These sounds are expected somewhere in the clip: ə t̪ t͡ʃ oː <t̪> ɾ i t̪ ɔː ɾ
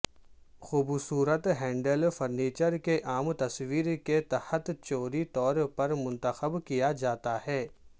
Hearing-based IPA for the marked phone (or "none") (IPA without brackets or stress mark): none